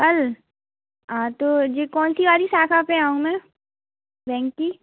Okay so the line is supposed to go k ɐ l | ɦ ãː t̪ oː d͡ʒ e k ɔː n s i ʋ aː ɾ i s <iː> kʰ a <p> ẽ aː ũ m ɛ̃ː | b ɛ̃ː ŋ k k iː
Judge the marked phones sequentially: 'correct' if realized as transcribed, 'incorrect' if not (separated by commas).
incorrect, correct